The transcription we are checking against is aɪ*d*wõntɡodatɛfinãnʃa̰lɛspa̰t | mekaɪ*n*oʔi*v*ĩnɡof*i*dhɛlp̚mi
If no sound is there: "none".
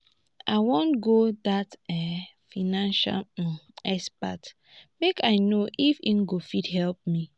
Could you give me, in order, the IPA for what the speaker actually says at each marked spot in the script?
none, n, f, i

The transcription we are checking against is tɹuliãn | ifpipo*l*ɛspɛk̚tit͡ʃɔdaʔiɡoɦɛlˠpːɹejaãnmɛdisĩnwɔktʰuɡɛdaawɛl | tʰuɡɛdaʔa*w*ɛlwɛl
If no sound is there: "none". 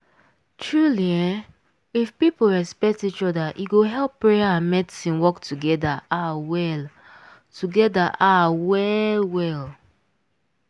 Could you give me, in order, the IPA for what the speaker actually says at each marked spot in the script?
ɹ, w

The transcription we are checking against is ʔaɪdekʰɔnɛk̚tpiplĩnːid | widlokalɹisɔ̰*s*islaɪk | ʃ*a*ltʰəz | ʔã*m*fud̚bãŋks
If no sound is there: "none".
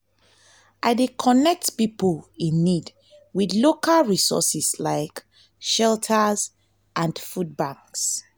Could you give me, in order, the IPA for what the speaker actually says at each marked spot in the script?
s, ɛ, n

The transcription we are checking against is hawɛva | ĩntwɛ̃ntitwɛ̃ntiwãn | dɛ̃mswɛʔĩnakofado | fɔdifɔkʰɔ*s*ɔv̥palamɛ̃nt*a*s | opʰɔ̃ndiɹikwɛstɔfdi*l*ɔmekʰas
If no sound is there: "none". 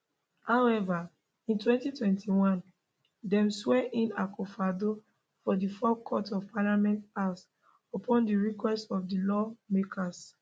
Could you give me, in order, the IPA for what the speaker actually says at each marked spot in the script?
t, a, l

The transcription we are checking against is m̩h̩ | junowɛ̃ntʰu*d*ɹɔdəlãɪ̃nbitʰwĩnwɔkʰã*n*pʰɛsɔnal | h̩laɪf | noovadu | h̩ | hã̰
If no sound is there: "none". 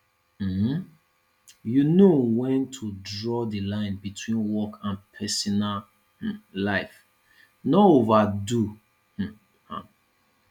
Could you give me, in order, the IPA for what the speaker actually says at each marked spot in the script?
d, n

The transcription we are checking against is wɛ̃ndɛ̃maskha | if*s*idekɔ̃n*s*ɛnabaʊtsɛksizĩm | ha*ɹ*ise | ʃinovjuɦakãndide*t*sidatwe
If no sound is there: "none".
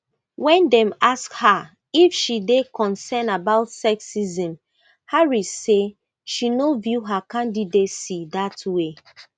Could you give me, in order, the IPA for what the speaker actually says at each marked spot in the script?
ʃ, s, ɹ, t

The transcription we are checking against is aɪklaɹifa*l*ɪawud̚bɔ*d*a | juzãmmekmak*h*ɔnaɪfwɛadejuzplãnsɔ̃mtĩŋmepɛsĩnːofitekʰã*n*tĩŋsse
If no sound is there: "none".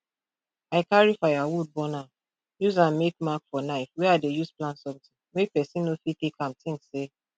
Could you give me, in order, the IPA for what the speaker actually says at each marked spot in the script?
none, n, f, m

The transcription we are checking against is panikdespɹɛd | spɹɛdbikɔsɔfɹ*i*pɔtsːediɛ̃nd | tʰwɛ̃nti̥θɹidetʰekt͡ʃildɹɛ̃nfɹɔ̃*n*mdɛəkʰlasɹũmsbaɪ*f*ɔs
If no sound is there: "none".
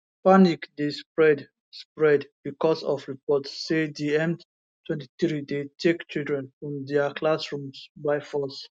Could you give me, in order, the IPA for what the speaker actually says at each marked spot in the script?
i, none, f

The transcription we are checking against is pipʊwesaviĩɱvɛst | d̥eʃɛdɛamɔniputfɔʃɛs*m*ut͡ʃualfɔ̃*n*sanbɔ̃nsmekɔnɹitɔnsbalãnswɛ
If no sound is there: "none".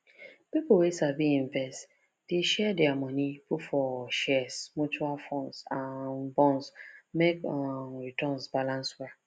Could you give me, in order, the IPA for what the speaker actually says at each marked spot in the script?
m, n

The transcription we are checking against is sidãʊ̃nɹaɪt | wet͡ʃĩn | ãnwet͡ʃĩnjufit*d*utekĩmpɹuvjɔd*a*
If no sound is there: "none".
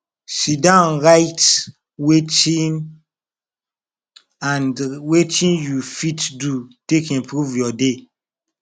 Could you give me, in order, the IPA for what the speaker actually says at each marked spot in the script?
d, e

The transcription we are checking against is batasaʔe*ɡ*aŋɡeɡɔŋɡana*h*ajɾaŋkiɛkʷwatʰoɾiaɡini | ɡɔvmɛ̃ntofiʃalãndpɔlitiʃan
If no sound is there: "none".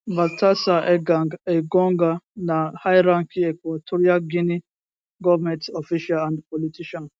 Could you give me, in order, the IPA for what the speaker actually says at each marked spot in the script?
ɡ, h

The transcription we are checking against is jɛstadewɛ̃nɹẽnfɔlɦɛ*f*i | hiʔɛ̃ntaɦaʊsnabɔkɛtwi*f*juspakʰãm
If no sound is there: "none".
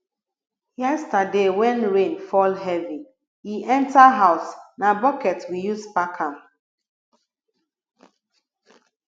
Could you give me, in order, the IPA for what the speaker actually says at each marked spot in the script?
v, none

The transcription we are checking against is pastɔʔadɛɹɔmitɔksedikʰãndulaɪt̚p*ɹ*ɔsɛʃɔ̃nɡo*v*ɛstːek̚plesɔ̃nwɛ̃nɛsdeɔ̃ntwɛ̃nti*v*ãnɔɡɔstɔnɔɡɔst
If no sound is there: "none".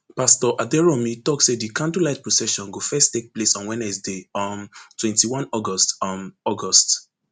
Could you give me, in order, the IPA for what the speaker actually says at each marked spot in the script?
ɹ, f, w

